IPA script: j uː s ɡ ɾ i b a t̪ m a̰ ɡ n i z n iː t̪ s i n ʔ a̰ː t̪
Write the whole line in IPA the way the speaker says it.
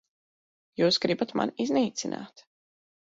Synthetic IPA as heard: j uː s ɡ ɾ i b a t̪ m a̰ n i z n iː t̪ s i n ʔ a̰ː t̪